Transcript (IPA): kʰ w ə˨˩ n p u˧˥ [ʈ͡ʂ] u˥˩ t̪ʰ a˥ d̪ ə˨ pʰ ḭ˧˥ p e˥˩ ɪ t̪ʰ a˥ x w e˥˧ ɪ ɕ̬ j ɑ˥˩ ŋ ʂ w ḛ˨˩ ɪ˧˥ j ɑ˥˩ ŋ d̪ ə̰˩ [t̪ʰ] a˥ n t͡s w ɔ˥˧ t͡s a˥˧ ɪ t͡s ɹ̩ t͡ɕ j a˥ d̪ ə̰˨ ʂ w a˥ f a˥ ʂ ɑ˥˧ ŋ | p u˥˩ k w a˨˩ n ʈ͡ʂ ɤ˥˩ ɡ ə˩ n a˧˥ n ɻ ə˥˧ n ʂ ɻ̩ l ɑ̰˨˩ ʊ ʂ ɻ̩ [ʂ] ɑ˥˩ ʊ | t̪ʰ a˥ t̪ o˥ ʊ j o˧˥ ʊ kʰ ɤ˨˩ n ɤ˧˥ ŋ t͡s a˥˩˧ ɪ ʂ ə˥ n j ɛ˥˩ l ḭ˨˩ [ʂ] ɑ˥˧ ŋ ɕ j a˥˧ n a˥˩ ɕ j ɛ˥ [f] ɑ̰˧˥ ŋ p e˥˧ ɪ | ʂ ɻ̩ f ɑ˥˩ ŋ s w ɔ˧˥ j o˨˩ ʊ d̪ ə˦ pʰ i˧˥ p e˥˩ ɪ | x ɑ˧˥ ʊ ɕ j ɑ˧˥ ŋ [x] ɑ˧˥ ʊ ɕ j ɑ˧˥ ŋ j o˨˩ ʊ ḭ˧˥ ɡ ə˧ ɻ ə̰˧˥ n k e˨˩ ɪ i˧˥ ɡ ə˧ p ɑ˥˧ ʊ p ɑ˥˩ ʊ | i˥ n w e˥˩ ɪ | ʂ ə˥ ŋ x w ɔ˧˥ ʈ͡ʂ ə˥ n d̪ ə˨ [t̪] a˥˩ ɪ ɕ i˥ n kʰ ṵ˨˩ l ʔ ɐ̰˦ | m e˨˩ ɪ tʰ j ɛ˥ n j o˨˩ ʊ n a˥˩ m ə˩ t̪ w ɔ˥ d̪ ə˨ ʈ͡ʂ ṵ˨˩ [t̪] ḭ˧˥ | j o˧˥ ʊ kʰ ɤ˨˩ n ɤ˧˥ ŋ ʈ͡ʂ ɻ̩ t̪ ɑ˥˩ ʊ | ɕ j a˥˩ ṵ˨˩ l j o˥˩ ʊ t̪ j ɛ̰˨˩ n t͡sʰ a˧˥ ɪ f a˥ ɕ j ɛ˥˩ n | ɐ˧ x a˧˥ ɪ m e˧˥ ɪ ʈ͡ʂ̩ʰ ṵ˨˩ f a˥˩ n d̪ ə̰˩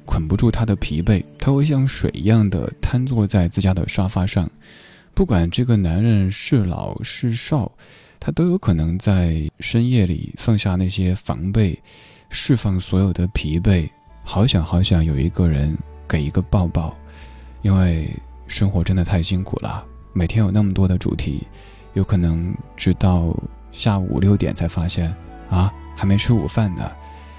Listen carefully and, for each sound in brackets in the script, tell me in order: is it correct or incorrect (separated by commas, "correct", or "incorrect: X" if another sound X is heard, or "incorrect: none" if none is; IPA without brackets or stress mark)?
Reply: correct, correct, correct, incorrect: f, correct, correct, incorrect: t̪ʰ, incorrect: t̪ʰ